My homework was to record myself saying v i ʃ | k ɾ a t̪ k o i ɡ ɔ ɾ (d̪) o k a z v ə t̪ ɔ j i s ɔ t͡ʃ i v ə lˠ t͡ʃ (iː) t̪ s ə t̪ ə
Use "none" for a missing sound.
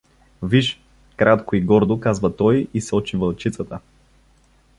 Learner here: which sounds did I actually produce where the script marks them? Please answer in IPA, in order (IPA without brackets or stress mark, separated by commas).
d̪, i